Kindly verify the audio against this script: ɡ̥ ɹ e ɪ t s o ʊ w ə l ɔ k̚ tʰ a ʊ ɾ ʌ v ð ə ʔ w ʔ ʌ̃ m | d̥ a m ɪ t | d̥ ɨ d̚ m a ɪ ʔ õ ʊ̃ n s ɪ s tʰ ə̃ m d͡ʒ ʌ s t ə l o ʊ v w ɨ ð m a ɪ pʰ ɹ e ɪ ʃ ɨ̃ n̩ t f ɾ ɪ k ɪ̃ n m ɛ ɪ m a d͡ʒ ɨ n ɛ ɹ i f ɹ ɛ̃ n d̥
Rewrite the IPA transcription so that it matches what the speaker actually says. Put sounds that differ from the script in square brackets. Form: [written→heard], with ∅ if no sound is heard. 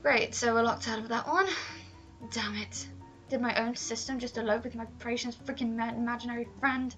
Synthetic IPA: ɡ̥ ɹ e ɪ t s o ʊ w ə l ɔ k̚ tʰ a ʊ ɾ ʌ v ð ə ʔ w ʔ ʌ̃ [m→n] | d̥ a m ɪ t | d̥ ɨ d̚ m a ɪ ʔ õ ʊ̃ n s ɪ s [tʰ→t] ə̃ m d͡ʒ ʌ s t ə l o ʊ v w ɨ ð m a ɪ pʰ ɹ e ɪ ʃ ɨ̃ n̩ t f [ɾ→ɹ] ɪ k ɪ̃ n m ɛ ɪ m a d͡ʒ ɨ n ɛ ɹ i f ɹ ɛ̃ n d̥